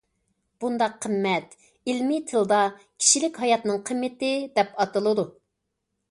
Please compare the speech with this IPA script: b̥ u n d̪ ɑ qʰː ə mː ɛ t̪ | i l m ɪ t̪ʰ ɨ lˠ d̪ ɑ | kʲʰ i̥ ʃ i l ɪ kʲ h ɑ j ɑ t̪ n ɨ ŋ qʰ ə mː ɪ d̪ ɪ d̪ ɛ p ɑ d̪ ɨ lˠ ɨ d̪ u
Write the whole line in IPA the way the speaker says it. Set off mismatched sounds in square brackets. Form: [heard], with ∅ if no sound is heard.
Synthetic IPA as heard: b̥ u n d̪ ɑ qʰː ə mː ɛ t̪ | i l m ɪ t̪ʰ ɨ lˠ d̪ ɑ | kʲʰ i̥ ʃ i l ɪ kʲ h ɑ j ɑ t̪ n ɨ ŋ qʰ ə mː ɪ [t̪] ɪ d̪ ɛ p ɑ [t̪] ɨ lˠ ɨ d̪ u